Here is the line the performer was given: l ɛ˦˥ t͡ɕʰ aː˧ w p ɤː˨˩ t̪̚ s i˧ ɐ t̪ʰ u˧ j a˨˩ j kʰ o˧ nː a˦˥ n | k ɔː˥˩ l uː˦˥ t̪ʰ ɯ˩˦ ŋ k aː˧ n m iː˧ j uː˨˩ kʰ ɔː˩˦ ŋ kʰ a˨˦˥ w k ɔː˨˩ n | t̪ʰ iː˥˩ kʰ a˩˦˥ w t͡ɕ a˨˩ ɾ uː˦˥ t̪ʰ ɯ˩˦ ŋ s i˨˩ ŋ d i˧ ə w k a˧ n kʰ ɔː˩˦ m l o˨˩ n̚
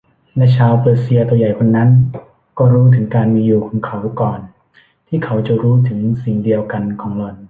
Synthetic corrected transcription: l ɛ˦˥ t͡ɕʰ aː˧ w p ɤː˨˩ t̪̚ s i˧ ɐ t̪ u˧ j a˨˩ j kʰ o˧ nː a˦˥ n | k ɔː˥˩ ɾ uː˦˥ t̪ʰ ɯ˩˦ ŋ k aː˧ n m iː˧ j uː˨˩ kʰ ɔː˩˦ ŋ kʰ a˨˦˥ w k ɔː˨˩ n | t̪ʰ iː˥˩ kʰ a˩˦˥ w t͡ɕ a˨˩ ɾ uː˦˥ t̪ʰ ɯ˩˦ ŋ s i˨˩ ŋ d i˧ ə w k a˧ n kʰ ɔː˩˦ ŋ l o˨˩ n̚